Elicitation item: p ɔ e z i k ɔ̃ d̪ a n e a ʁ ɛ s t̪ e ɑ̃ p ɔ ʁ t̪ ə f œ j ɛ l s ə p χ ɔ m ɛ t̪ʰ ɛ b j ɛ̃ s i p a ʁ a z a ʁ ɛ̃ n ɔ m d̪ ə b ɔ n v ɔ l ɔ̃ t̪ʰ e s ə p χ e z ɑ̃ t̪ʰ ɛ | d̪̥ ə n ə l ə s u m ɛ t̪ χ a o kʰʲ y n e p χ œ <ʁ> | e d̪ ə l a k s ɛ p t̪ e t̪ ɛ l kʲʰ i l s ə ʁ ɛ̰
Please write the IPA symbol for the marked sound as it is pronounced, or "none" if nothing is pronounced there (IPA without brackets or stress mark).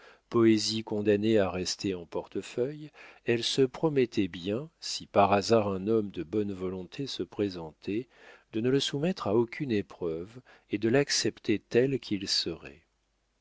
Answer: v